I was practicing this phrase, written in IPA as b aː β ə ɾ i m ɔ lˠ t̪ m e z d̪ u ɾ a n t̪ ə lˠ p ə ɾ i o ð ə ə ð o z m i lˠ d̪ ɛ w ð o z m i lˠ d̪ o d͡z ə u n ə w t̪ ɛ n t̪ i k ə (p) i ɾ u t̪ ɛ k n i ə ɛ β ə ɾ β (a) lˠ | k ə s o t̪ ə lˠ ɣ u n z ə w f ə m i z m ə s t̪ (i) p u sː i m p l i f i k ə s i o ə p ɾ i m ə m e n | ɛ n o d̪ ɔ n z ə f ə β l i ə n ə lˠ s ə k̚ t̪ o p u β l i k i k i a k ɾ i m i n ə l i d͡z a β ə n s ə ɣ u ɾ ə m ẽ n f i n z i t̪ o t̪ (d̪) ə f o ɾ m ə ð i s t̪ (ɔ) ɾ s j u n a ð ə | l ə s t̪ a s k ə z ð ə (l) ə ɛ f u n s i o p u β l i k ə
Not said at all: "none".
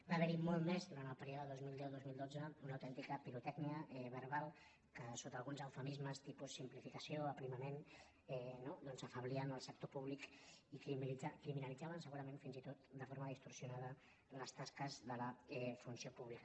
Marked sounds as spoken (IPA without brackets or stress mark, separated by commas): p, a, i, d̪, u, l